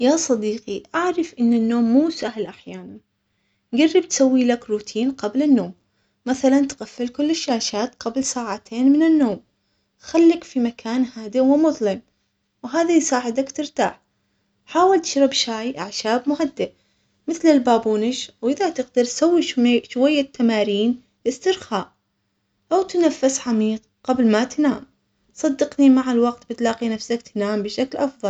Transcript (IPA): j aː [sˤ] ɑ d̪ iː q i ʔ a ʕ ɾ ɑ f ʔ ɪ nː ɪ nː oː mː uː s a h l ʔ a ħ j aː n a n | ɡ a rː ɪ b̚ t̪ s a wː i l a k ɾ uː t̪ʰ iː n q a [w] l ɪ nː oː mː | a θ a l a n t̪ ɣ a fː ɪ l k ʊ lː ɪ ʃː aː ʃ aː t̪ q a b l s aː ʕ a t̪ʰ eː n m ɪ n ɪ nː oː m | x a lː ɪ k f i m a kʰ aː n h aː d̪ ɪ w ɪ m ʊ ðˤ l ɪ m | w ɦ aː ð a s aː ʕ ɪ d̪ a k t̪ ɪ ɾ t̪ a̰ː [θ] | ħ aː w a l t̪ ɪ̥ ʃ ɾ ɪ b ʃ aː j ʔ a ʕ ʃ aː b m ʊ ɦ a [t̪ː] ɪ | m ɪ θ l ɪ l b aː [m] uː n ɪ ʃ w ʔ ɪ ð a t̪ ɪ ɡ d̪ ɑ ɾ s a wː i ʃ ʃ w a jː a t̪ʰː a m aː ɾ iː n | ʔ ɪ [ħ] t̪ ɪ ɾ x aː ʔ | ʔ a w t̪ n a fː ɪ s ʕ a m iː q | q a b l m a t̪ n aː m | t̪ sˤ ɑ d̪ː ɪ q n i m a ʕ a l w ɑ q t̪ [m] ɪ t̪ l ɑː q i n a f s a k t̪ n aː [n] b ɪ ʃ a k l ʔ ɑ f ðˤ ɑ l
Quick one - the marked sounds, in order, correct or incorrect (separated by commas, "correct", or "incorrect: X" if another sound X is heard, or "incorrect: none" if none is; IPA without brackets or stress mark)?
correct, incorrect: b, incorrect: ħ, incorrect: d̪ː, incorrect: b, incorrect: s, incorrect: b, incorrect: m